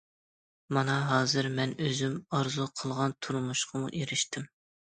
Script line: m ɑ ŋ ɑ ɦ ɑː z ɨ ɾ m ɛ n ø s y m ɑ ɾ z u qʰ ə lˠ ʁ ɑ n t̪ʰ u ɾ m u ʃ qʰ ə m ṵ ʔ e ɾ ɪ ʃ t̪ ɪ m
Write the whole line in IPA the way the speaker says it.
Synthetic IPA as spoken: m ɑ n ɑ ɦ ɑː z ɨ ɾ m ɛ n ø z y m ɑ ɾ z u qʰ ə lˠ ʁ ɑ n t̪ʰ u ɾ m u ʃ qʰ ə m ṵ ʔ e ɾ ɪ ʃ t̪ ɪ m